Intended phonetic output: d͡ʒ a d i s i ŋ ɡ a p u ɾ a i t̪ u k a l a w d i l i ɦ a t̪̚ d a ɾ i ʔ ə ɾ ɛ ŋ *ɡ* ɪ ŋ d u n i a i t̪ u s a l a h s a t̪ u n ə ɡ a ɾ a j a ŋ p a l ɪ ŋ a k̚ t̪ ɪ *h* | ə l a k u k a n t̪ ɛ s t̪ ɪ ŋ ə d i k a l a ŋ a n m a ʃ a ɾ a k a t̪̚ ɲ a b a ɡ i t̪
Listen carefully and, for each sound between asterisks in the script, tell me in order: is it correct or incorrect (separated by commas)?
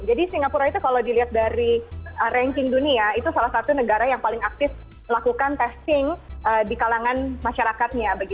incorrect, incorrect